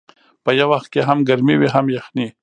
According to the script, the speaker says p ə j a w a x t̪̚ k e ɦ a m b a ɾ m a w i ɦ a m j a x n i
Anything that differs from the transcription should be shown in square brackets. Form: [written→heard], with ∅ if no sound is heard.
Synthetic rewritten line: p ə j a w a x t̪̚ k e ɦ a m [b→ɡ] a ɾ m [a→i] w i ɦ a m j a x n i